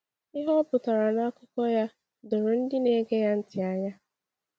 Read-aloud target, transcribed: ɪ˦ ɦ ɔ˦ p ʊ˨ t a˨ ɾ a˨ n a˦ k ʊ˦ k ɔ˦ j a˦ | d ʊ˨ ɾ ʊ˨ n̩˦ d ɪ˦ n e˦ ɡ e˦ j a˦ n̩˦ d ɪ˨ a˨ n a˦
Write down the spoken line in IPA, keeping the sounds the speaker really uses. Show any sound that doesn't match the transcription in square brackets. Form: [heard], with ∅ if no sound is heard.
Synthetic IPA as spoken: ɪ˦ ɦ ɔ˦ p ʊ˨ t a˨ ɾ a˨ n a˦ k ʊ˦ k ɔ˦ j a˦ | d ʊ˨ ɾ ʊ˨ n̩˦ d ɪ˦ n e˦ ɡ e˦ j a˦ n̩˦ [t] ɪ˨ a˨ [ɲ] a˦